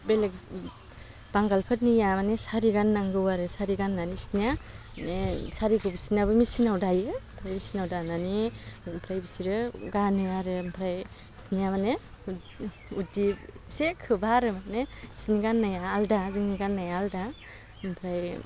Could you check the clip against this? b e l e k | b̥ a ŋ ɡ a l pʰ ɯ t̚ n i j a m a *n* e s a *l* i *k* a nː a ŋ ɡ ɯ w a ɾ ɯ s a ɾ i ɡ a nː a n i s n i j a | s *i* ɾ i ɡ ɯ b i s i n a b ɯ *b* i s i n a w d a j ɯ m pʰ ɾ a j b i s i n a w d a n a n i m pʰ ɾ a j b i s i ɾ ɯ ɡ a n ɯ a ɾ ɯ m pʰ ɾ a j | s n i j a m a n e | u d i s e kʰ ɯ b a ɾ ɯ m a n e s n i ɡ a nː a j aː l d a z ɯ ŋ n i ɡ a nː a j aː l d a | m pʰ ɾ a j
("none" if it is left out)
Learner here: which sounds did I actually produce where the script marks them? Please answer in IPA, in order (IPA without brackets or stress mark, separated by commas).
n, ɾ, ɡ, a, m